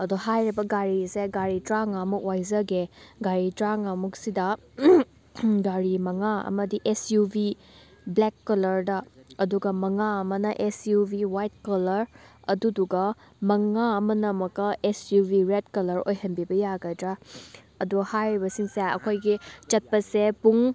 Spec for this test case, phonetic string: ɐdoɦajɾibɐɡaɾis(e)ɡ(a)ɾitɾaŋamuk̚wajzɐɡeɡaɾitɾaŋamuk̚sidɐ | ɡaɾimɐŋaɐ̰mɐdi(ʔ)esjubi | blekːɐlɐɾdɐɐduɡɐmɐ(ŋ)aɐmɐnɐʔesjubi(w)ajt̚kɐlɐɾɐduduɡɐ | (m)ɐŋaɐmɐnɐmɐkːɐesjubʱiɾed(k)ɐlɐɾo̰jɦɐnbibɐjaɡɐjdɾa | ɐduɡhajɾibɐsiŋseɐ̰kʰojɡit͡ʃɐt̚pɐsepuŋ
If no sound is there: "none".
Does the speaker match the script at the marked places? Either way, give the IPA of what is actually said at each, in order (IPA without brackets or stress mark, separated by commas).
e, a, ʔ, ŋ, w, m, k